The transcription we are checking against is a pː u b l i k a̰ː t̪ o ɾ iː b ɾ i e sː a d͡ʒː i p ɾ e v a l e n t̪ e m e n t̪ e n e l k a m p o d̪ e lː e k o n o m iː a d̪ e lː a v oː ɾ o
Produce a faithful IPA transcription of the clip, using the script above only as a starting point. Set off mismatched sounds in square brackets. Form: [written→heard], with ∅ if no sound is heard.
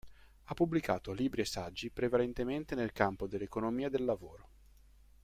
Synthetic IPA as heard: a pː u b l i k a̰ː t̪ o [ɾ→l] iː b ɾ i e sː a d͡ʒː i p ɾ e v a l e n t̪ e m e n t̪ e n e l k a m p o d̪ e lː e k o n o m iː a d̪ e lː a v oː ɾ o